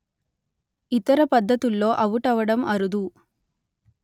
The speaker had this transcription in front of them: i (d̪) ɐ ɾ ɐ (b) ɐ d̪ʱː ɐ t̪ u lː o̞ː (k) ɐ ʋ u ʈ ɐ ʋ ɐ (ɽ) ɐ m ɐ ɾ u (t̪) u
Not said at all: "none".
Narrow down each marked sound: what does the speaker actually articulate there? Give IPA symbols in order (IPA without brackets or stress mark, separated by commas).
t̪, p, ʔ, ɽ, d̪